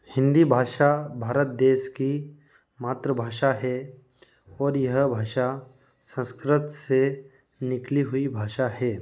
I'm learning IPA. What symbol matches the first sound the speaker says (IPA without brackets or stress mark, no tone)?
h